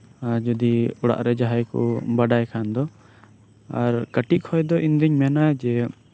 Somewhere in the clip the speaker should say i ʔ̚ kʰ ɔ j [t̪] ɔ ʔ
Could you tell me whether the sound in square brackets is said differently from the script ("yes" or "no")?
yes